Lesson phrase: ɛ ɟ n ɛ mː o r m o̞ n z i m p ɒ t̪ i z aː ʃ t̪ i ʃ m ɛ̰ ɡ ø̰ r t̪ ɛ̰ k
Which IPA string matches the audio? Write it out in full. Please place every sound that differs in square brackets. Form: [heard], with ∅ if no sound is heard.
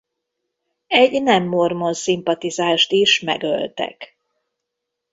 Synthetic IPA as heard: ɛ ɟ n ɛ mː o r m o̞ n [s] i m p ɒ t̪ i z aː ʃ t̪ i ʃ m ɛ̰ ɡ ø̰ [l] t̪ ɛ̰ k